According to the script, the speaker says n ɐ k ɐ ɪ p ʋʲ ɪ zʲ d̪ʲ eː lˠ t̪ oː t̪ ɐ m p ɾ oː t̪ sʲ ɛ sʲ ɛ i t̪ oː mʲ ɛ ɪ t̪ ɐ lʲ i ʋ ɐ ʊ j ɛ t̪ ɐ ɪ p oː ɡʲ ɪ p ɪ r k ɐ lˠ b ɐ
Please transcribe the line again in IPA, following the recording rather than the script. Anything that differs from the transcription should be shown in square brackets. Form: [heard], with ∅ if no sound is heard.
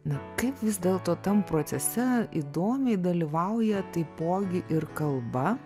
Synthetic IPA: n ɐ k ɐ ɪ p ʋʲ ɪ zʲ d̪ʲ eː lˠ t̪ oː t̪ ɐ m p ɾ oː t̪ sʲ ɛ sʲ ɛ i [d̪] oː mʲ ɛ ɪ [d̪] ɐ lʲ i ʋ ɐ ʊ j ɛ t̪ ɐ ɪ p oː ɡʲ ɪ [ʔ] ɪ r k ɐ lˠ b ɐ